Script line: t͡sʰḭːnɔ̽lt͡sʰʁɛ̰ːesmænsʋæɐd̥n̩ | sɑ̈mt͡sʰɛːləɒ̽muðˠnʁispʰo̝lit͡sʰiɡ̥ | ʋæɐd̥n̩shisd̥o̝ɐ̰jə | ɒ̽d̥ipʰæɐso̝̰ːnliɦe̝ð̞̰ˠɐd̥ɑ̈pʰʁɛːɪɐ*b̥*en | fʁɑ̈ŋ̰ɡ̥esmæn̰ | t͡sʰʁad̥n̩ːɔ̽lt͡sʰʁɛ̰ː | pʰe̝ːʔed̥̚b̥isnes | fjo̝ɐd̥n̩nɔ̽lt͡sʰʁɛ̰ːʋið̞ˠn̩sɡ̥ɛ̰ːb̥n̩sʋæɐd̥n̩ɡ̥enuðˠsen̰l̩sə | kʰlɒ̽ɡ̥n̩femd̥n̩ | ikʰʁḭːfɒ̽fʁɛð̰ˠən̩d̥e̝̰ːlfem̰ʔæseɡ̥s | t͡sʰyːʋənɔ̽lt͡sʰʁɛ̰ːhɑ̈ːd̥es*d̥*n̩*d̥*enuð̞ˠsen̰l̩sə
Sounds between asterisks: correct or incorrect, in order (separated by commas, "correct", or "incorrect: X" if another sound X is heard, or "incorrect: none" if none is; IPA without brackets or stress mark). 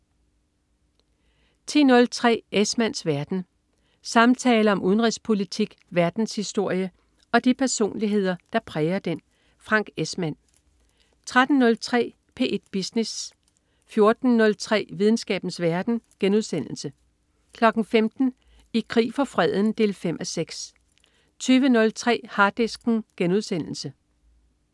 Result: incorrect: d̥, incorrect: ɡ̥, incorrect: ɡ̥